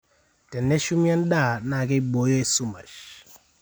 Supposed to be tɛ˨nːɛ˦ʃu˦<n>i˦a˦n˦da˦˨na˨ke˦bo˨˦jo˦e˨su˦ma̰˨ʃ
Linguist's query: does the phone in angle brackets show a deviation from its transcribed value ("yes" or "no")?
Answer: yes